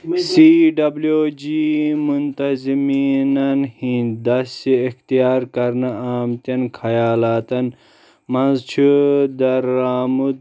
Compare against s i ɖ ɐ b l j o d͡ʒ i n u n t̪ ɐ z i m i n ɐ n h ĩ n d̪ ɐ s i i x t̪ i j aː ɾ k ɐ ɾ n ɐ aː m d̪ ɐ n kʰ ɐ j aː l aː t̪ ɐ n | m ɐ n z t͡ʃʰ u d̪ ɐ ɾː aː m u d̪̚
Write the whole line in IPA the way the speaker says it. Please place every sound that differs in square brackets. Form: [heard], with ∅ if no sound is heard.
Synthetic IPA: s i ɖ ɐ b l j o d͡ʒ i [m] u n t̪ ɐ z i m i n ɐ n h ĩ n d̪ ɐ s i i x t̪ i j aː ɾ k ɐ ɾ n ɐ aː m [t̪] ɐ n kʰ ɐ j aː l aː t̪ ɐ n | m ɐ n z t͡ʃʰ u d̪ ɐ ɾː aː m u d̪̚

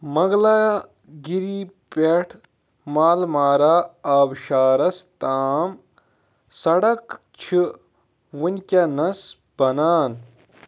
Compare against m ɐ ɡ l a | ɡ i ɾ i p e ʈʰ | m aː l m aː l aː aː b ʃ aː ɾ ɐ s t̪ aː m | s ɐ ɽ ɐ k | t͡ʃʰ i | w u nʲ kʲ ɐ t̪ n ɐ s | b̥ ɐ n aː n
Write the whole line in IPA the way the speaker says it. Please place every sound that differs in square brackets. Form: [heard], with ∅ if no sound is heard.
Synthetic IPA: m ɐ ɡ l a | ɡ i ɾ i p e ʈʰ | m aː l m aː [ɾ] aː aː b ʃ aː ɾ ɐ s t̪ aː m | s ɐ ɽ ɐ k | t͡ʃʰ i | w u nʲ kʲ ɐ [∅] n ɐ s | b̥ ɐ n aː n

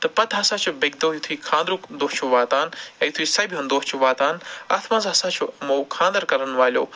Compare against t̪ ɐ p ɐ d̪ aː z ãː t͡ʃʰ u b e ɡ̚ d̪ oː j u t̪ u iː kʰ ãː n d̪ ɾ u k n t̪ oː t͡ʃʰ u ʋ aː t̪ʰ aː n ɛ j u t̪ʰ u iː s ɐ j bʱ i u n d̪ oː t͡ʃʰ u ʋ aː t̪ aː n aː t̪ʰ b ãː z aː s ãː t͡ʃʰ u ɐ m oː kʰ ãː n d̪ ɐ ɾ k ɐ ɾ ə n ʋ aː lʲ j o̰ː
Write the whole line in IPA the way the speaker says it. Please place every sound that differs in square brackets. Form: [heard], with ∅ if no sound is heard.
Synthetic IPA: t̪ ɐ p ɐ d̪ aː [s] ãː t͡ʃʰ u b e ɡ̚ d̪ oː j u [t̪ʰ] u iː kʰ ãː n d̪ ɾ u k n [d̪] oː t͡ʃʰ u ʋ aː [t̪] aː n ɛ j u t̪ʰ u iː s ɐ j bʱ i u n d̪ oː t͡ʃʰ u ʋ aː t̪ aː n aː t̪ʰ [m] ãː z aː s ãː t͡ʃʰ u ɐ m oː kʰ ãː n d̪ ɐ ɾ k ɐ ɾ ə n ʋ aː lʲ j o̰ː

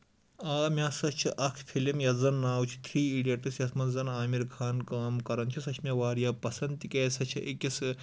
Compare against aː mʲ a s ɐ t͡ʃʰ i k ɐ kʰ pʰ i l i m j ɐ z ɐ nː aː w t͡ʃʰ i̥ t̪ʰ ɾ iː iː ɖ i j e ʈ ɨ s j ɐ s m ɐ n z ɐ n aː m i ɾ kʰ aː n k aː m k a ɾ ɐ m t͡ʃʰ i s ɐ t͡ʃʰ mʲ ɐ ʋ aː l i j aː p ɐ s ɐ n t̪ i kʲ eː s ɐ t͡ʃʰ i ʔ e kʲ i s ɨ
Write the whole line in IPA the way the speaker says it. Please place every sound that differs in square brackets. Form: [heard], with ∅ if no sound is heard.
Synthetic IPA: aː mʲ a s ɐ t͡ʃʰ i [ʔ] ɐ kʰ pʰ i l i m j ɐ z ɐ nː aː w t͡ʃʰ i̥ t̪ʰ ɾ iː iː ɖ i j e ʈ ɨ s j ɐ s m ɐ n z ɐ n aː m i ɾ kʰ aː n k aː m k [ɐ] ɾ ɐ [n] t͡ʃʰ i s ɐ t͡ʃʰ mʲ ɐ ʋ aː [ɾ] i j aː p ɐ s ɐ n t̪ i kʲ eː s ɐ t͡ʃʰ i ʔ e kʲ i s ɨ

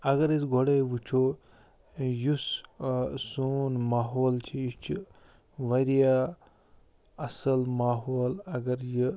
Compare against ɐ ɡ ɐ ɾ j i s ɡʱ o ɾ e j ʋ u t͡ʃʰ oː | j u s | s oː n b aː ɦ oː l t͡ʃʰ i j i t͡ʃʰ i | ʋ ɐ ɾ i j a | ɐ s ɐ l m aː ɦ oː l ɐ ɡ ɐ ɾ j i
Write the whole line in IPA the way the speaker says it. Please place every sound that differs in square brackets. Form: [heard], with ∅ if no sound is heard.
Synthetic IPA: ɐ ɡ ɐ ɾ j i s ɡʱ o [ɽ] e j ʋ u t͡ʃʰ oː | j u s | s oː n [m] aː ɦ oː l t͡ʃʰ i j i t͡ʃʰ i | ʋ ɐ ɾ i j a | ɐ s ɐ l m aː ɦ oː l ɐ ɡ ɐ ɾ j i

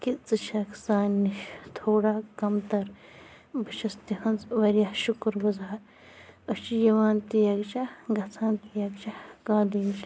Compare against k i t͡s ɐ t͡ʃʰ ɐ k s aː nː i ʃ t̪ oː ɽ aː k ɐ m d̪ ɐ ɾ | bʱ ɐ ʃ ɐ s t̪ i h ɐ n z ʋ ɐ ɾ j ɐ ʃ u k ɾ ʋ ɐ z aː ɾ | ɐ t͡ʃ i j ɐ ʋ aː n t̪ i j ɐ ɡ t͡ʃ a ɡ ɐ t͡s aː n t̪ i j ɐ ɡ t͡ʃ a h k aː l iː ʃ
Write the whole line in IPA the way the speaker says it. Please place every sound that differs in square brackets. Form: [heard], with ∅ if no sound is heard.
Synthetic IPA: k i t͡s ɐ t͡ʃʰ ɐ k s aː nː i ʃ [t̪ʰ] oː ɽ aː k ɐ m [t̪] ɐ ɾ | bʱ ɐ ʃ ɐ s t̪ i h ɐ n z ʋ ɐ ɾ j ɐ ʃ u k ɾ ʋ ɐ z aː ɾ | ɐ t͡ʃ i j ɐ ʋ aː n t̪ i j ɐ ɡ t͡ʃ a ɡ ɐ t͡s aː n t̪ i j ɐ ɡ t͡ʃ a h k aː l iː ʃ

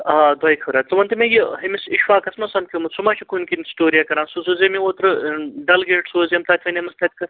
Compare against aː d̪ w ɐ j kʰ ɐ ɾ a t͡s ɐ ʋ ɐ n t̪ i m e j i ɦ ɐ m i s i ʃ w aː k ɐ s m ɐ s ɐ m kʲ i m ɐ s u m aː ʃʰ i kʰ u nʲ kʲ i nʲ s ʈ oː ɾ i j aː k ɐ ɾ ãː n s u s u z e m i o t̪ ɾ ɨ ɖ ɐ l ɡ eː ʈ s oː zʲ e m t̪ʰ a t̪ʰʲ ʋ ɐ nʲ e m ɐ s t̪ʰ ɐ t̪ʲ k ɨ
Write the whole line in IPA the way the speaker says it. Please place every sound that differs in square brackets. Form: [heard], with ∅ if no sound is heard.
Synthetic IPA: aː d̪ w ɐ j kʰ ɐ ɾ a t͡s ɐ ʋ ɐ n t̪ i m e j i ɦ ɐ m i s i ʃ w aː k ɐ s m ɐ s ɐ m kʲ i m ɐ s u m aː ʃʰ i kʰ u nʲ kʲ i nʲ s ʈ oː ɾ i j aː k ɐ ɾ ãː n s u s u z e m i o t̪ ɾ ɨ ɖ ɐ l ɡ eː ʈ s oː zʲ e m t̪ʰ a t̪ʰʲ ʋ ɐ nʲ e m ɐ s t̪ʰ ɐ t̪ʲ k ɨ

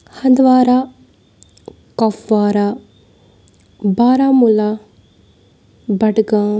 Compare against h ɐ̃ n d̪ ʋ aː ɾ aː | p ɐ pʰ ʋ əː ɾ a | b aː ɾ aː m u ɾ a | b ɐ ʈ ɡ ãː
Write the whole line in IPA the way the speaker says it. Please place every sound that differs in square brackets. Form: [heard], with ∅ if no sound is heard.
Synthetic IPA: h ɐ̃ n d̪ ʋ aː ɾ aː | [k] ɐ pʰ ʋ [aː] ɾ a | b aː ɾ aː m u [l] a | b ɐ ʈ ɡ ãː

